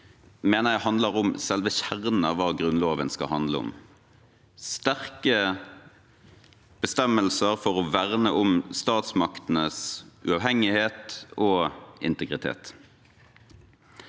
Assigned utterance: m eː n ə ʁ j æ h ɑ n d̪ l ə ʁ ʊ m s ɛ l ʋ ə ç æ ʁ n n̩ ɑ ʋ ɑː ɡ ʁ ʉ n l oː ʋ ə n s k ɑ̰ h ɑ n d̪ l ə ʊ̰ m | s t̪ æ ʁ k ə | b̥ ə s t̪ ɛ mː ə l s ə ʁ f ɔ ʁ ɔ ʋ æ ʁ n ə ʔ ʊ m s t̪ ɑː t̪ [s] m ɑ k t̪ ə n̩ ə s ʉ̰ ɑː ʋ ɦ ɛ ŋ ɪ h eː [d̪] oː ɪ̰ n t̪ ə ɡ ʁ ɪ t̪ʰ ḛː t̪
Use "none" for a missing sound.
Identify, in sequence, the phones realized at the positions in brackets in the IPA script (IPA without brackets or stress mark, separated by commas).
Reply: s, t̪